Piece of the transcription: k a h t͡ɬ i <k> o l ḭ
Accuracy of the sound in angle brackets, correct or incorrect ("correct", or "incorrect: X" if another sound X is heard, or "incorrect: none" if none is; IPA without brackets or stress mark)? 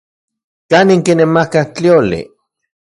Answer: incorrect: none